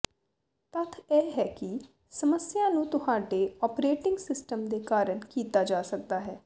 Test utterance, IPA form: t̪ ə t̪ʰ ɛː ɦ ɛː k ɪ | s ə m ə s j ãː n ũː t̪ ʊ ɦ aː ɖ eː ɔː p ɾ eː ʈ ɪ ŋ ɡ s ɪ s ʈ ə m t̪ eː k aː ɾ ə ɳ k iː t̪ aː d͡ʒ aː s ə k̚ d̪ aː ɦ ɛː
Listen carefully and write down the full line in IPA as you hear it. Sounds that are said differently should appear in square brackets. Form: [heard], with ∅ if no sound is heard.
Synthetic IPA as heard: t̪ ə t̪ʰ ɛː ɦ ɛː k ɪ | s ə m ə s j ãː n ũː t̪ ʊ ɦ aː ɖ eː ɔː p ɾ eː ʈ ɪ ŋ ɡ s ɪ s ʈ ə m [d̪] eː k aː ɾ ə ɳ k iː t̪ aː d͡ʒ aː s ə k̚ d̪ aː ɦ ɛː